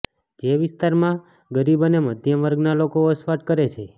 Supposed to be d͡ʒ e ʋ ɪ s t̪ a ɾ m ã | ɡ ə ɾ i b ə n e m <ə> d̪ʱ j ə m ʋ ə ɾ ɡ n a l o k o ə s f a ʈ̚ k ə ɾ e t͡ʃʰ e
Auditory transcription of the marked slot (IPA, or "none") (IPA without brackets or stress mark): ə